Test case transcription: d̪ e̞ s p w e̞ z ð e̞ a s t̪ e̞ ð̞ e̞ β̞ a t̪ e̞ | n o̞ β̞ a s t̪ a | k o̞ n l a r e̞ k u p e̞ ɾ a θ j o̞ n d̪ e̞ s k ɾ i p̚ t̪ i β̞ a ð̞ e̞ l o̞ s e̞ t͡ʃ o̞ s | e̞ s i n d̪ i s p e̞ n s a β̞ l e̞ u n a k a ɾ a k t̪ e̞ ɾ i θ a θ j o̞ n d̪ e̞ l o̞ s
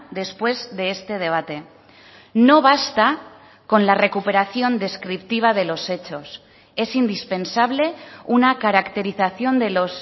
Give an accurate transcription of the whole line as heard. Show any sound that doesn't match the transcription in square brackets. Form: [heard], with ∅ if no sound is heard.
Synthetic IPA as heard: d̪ e̞ s p w e̞ z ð e̞ [e] s t̪ e̞ ð̞ e̞ β̞ a t̪ e̞ | n o̞ β̞ a s t̪ a | k o̞ n l a r e̞ k u p e̞ ɾ a θ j o̞ n d̪ e̞ s k ɾ i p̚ t̪ i β̞ a ð̞ e̞ l o̞ s e̞ t͡ʃ o̞ s | e̞ s i n d̪ i s p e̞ n s a β̞ l e̞ u n a k a ɾ a k t̪ e̞ ɾ i θ a θ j o̞ n d̪ e̞ l o̞ s

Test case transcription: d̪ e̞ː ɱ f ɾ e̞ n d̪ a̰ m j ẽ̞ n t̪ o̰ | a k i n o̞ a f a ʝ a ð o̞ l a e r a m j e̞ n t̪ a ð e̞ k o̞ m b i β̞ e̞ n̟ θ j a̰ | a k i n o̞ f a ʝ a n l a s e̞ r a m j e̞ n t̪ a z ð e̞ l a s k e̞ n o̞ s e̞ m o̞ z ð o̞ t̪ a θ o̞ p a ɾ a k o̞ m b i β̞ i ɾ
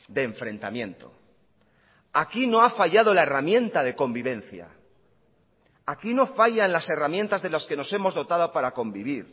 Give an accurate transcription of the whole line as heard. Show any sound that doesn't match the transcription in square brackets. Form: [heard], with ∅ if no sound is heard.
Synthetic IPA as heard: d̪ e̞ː ɱ f ɾ e̞ n [t̪] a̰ m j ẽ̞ n t̪ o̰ | a k i n o̞ a f a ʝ a ð o̞ l a e r a m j e̞ n t̪ a ð e̞ k o̞ m b i β̞ e̞ n̟ θ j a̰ | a k i n o̞ f a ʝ a n l a s e̞ r a m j e̞ n t̪ a z ð e̞ l a s k e̞ n o̞ s e̞ m o̞ z ð o̞ t̪ a [ð] o̞ p a ɾ a k o̞ m b i β̞ i ɾ

